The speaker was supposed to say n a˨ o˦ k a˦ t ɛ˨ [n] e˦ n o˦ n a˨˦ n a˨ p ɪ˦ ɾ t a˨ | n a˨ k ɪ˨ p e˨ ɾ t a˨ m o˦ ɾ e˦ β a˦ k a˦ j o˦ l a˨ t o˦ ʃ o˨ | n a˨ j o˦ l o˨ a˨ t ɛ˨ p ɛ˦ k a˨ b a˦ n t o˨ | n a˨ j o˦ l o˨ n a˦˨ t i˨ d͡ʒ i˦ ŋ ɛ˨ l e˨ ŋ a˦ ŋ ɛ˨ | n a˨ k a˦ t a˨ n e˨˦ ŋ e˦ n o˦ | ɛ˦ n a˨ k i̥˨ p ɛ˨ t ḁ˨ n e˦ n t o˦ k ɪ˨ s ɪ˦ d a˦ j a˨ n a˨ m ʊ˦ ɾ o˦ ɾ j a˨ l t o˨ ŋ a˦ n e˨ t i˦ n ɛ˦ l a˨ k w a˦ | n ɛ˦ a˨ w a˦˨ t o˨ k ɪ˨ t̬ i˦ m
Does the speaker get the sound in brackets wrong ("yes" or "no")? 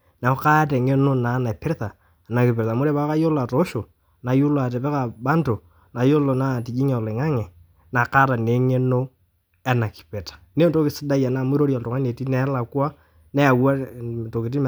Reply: yes